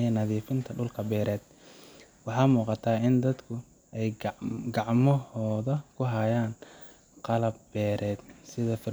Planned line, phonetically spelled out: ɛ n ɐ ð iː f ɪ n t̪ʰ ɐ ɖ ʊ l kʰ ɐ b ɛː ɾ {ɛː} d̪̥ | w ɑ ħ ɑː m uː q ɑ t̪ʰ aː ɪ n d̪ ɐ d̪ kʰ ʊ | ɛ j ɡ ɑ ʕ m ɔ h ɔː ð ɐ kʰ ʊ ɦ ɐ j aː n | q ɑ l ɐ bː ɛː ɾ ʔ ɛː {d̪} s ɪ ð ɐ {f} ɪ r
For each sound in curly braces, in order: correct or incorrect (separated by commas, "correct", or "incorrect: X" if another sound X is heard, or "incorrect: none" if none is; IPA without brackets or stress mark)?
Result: correct, correct, correct